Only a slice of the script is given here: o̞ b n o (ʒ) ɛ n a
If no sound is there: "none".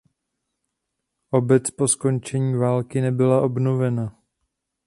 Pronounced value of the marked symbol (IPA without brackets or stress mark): v